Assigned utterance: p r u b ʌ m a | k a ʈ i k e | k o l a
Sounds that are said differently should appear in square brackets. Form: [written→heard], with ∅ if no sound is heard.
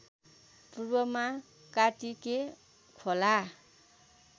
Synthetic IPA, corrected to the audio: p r u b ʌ m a | k a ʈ i k e | [k→kʰ] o l a